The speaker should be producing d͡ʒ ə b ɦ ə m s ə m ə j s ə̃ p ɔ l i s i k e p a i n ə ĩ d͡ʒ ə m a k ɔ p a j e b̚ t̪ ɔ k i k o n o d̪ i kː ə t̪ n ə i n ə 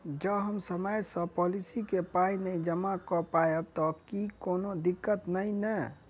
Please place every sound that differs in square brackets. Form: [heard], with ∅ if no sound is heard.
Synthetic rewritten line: d͡ʒ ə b ɦ ə m s ə m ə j s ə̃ p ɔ l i s i k e p a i n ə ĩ d͡ʒ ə m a k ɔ p a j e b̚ t̪ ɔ k i k o n o d̪ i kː ə t̪ n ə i n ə